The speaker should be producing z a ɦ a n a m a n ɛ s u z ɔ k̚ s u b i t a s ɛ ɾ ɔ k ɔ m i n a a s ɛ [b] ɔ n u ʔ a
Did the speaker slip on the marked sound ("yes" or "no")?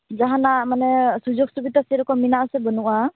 no